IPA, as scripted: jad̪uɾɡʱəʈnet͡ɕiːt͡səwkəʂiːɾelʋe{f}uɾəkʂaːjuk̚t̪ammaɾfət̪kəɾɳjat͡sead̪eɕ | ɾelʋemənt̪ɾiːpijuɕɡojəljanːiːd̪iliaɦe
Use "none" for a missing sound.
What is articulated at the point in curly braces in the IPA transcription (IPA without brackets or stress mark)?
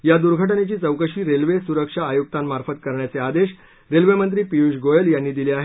s